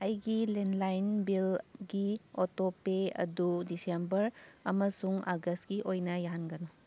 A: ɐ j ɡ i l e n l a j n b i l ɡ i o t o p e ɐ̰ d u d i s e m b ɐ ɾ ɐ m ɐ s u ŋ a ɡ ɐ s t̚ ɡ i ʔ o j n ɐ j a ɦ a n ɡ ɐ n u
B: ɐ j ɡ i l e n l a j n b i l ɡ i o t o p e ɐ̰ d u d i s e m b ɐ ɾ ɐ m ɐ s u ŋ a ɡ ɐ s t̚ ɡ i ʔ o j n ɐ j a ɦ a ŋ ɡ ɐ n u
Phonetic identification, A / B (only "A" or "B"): A